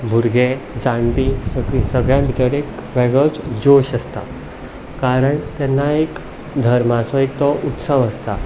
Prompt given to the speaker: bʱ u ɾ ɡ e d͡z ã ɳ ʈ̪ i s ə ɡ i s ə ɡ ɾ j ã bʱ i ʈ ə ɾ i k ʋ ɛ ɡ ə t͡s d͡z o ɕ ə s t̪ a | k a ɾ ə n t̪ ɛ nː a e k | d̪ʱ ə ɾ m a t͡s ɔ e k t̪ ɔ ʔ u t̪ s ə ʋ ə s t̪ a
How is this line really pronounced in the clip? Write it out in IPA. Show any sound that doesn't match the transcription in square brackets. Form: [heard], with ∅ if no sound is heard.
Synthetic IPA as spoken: bʱ u ɾ ɡ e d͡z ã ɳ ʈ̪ i s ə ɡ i s ə ɡ [ɭ] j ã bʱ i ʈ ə ɾ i k ʋ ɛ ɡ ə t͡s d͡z o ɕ ə s t̪ a | k a ɾ ə [ɳ] t̪ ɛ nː a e k | d̪ʱ ə ɾ m a t͡s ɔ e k t̪ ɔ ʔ u t̪ s ə ʋ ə s t̪ a

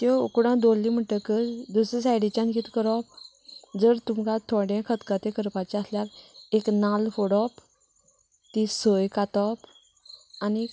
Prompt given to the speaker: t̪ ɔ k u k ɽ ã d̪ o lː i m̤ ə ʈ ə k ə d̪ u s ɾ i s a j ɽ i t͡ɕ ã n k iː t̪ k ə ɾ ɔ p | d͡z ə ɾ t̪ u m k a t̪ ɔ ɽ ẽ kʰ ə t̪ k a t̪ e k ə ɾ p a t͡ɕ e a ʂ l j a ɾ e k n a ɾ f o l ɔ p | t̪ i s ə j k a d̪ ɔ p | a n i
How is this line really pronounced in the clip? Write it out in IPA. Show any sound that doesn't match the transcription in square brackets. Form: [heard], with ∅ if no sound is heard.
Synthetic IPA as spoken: t̪ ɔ k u [∅] ɽ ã d̪ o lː i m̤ ə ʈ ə k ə d̪ u s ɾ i s a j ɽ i t͡ɕ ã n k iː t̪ k ə ɾ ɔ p | d͡z ə ɾ t̪ u m k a [t̪ʰ] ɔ ɽ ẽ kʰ ə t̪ k a t̪ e k ə ɾ p a t͡ɕ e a [s] l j a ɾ e k n a [l] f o [ɽ] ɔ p | t̪ i s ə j k a [t̪] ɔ p | a n i

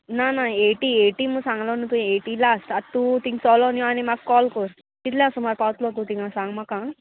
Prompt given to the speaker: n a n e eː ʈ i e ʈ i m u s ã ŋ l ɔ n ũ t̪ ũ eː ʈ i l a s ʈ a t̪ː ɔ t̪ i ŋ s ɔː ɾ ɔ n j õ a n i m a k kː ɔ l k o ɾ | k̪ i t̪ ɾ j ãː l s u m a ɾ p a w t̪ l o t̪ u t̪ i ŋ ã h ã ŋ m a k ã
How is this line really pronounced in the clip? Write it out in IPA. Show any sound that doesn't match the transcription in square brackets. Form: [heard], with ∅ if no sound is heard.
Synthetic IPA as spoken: n a n [a] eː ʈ i e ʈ i m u s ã ŋ l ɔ n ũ t̪ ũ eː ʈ i l a s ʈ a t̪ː [u] t̪ i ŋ s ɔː [l] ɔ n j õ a n i m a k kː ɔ l k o ɾ | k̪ i t̪ [l] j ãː [∅] s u m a ɾ p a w t̪ l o t̪ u t̪ i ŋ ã [s] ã ŋ m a k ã

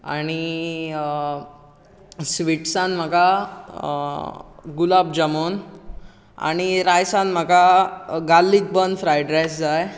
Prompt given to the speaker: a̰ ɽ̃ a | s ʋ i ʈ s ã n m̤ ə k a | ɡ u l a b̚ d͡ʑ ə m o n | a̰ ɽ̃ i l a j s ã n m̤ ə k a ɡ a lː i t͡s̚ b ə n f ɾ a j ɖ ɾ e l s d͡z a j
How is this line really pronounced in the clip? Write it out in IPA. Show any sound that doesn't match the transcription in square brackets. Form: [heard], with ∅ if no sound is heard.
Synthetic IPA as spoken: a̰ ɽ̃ [i] | s ʋ i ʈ s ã n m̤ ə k a | ɡ u l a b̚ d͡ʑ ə m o n | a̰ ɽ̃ i [ɾ] a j s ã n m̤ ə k a ɡ a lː i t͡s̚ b ə n f ɾ a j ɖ ɾ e [∅] s d͡z a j

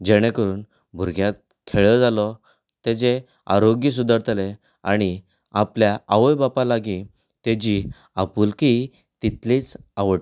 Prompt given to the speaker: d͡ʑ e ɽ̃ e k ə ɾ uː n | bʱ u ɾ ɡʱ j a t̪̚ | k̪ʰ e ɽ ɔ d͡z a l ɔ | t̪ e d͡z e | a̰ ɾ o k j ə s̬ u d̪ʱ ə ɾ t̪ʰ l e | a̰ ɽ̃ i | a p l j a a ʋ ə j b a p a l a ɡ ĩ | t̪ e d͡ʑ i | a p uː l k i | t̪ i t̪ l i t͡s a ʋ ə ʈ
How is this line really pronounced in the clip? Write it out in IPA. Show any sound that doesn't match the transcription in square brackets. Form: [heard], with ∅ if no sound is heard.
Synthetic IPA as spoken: d͡ʑ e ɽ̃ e k ə ɾ uː n | bʱ u ɾ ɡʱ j a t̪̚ | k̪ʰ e [ɭ] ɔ d͡z a l ɔ | t̪ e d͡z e | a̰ ɾ o [ɡ] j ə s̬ u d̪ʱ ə ɾ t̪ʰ l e | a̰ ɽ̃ i | a p l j a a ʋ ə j b a p a l a ɡ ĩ | t̪ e d͡ʑ i | a p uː l k i | t̪ i t̪ l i t͡s a ʋ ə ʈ

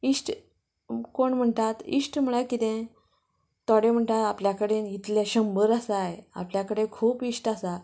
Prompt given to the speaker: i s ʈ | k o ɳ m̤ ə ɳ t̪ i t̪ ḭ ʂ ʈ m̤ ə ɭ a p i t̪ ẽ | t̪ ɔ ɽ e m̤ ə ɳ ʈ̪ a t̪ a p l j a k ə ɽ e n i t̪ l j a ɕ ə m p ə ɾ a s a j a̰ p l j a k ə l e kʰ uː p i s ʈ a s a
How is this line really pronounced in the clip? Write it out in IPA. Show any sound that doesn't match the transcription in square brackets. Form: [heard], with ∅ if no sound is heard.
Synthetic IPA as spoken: i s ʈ | k o ɳ m̤ ə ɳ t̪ [a] t̪ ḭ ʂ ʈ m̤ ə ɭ a [k] i t̪ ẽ | t̪ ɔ ɽ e m̤ ə ɳ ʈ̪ a t̪ a p l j a k ə ɽ e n i t̪ l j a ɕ ə m [b] ə ɾ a s a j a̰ p l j a k ə [ɽ] e kʰ uː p i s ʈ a s a

